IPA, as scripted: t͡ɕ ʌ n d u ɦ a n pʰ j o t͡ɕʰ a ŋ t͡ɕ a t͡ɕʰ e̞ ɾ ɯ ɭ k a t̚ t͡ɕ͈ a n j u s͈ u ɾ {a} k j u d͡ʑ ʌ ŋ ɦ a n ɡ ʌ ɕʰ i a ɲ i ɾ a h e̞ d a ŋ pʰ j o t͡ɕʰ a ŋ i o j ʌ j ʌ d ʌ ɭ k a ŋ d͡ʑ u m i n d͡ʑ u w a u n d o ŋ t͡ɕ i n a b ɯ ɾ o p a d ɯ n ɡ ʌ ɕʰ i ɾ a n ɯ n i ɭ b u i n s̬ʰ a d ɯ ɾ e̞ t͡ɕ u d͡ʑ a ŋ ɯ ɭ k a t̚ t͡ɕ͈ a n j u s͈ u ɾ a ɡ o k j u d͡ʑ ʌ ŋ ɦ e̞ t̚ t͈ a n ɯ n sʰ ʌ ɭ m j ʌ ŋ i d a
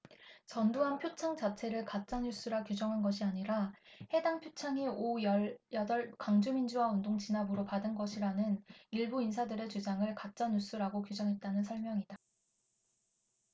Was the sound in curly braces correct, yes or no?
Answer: yes